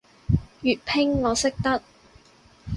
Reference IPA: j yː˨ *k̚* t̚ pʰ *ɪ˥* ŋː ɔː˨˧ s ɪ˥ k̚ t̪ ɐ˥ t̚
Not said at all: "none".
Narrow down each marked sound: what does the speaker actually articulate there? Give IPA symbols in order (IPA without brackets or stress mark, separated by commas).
none, ɪ˥